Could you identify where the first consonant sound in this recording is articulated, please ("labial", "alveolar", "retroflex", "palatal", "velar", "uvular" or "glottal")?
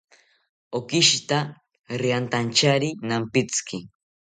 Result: velar